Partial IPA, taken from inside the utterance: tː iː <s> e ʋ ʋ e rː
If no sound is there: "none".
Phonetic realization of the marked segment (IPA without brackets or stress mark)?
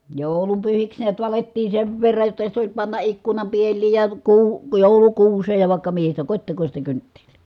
s